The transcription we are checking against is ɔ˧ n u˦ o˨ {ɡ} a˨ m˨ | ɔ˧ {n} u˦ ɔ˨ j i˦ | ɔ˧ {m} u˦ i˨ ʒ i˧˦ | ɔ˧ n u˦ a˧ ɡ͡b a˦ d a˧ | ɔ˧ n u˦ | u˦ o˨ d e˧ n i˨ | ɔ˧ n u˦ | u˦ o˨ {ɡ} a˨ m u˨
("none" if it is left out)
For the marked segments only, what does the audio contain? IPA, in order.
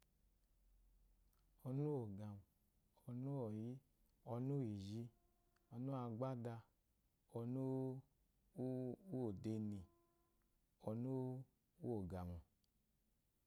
ɡ, n, n, ɡ

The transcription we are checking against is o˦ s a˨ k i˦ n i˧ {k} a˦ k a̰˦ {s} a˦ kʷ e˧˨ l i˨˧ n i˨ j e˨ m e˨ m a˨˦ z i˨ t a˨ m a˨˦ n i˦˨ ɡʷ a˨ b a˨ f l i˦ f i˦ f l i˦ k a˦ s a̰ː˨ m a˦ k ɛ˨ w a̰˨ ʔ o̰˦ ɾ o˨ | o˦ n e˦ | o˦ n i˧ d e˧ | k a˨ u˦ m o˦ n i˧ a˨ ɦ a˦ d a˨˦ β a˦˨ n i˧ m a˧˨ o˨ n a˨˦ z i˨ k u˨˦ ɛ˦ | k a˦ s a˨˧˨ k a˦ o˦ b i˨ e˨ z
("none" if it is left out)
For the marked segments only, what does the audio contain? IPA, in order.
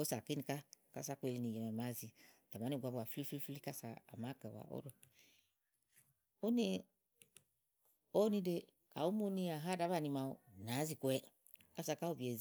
k, s

